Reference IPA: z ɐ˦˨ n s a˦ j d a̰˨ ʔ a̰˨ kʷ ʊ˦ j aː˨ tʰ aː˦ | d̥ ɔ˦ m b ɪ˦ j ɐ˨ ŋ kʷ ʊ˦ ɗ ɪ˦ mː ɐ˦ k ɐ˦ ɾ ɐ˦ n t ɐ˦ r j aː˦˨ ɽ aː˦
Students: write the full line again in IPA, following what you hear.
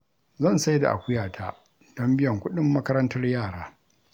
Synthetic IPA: z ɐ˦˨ n s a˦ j d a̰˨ ʔ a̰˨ kʷ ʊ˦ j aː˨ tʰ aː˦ | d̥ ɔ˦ m b ɪ˦ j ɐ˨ ŋ kʷ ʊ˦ ɗ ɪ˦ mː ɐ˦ k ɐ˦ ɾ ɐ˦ n t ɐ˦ r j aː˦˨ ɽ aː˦